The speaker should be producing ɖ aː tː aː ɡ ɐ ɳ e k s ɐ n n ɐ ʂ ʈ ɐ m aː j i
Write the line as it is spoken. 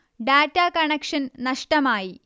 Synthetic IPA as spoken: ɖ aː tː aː k ɐ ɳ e k ʂ ɐ n n ɐ ʂ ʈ ɐ m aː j i

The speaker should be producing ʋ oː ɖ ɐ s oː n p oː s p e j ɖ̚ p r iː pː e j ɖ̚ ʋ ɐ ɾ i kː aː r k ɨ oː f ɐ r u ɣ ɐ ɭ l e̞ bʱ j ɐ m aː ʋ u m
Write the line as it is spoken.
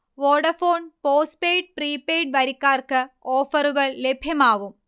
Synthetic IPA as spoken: ʋ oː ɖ ɐ f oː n p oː s p e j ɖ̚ p r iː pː e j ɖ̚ ʋ ɐ ɾ i kː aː r k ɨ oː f ɐ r u ɣ ɐ ɭ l e̞ bʱ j ɐ m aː ʋ u m

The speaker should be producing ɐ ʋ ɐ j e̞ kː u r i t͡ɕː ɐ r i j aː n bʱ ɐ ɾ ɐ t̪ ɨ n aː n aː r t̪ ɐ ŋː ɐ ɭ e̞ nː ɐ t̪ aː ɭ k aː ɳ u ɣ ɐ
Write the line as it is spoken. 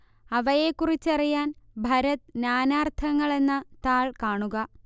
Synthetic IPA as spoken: ɐ ʋ ɐ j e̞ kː u r i t͡ɕː ɐ r i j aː n bʱ ɐ ɾ ɐ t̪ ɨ n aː n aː r t̪ʰ ɐ ŋː ɐ ɭ e̞ nː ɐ t̪ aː ɭ k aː ɳ u ɣ ɐ

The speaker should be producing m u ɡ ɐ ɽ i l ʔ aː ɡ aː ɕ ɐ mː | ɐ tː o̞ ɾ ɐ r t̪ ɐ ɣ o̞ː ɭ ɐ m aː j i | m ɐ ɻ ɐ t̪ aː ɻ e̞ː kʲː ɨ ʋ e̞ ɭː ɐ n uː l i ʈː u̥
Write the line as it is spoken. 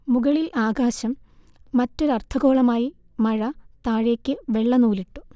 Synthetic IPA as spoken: m u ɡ ɐ ɭ i l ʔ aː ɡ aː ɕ ɐ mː | ɐ tː o̞ ɾ ɐ r t̪ʰ ɐ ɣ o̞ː ɭ ɐ m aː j i | m ɐ ɻ ɐ t̪ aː ɻ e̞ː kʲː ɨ ʋ e̞ ɭː ɐ n uː l i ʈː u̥

